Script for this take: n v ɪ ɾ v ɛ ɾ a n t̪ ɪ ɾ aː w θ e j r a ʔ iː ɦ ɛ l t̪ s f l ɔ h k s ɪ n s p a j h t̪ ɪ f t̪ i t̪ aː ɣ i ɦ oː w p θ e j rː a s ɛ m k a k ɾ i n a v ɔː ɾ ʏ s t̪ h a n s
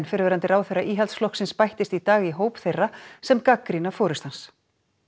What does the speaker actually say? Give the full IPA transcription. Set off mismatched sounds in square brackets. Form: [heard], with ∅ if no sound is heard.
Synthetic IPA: n [f] ɪ ɾ v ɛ ɾ a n t̪ ɪ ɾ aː w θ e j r a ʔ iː ɦ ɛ l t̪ s f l ɔ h k s ɪ n s p a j h t̪ ɪ [s] t̪ i t̪ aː ɣ i ɦ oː w p θ e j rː a s ɛ m k a k ɾ i n a [f] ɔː ɾ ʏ s t̪ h a n s

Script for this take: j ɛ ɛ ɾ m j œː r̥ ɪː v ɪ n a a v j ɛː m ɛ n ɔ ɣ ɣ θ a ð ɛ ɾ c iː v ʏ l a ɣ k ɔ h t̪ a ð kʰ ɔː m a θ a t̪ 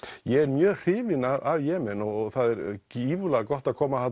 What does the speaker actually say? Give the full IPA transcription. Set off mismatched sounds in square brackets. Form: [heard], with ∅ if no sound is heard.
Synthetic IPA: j ɛ ɛ ɾ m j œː r̥ ɪː v ɪ n a a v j ɛː m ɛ n ɔ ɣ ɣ θ a ð ɛ ɾ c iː v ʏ l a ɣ k ɔ h t̪ a ð kʰ ɔː m a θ a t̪

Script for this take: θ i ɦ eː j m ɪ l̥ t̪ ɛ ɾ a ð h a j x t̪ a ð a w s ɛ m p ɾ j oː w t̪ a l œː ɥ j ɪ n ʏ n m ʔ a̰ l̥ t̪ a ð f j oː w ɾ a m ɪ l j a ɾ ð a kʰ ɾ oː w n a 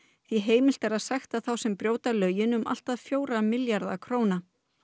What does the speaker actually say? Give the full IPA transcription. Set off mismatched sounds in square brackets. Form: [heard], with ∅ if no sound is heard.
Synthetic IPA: θ i ɦ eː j m ɪ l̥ t̪ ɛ ɾ a ð [s] a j x t̪ a [θ] a w s ɛ m p ɾ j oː w t̪ a l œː ɥ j ɪ n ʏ [∅] m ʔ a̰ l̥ t̪ a ð f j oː w ɾ a m ɪ l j a ɾ ð a kʰ ɾ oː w n a

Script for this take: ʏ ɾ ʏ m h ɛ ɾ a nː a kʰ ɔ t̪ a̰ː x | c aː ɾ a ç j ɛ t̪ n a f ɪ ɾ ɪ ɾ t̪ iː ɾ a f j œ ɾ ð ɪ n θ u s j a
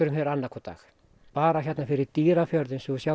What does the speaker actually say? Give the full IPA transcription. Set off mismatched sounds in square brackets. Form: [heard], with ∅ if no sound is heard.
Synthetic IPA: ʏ ɾ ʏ m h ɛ ɾ a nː a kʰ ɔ t̪ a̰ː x | [p] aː ɾ a ç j ɛ t̪ n a f ɪ ɾ ɪ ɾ t̪ iː ɾ a f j œ ɾ ð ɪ n [s] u s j a

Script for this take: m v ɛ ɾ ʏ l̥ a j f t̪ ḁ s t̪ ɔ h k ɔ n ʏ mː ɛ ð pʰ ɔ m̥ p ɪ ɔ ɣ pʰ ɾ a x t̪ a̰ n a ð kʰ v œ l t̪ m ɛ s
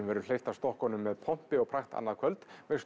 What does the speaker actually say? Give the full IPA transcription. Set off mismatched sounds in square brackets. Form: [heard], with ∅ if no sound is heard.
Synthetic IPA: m v ɛ ɾ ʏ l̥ [e] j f t̪ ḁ s t̪ ɔ h k ɔ n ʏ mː ɛ ð pʰ ɔ m̥ p ɪ ɔ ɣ pʰ ɾ a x t̪ a̰ [nː] a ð kʰ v œ l t̪ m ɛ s

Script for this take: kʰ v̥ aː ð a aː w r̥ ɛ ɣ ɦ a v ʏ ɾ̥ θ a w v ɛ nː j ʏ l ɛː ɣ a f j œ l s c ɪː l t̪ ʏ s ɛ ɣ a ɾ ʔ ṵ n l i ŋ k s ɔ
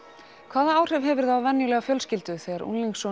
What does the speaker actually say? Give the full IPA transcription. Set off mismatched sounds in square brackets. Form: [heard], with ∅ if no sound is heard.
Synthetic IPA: kʰ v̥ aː ð a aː w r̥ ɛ [v] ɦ [ɛ] v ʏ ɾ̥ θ a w v ɛ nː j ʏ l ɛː ɣ a f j œ l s c [ɪ] l t̪ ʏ [θ] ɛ ɣ a ɾ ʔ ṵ n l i ŋ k s ɔ

